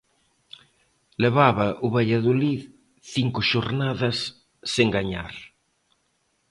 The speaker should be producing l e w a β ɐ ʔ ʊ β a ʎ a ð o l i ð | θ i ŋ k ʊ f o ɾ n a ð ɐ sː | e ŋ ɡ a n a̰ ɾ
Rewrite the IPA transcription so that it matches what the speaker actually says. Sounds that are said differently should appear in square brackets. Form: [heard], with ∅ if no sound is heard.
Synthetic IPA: l e [β] a β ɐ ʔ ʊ β a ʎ a ð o l i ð | θ i ŋ k ʊ [ʃ] o ɾ n a ð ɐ sː | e ŋ ɡ a [ɲ] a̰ ɾ